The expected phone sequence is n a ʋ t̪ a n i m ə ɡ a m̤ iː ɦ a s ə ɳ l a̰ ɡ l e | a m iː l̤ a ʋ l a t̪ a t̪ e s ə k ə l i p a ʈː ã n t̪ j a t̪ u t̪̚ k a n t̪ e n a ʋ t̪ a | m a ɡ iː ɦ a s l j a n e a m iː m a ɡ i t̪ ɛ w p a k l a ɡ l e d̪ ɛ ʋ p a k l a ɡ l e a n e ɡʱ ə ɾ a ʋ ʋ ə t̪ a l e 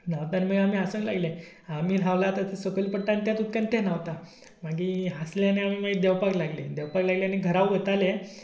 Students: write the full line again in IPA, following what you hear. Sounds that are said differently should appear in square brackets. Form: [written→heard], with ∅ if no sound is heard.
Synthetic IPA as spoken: n a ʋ t̪ a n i m ə ɡ a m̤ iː ɦ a s ə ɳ l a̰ ɡ l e | a m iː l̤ a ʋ l a t̪ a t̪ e s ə k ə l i p [a→ə] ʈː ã n t̪ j a t̪ u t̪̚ k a n t̪ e n a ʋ t̪ a | m a ɡ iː ɦ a s l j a n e a m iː m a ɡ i [t̪→d̪] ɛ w p a k l a ɡ l e d̪ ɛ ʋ p a k l a ɡ l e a n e ɡʱ ə ɾ a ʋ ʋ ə t̪ a l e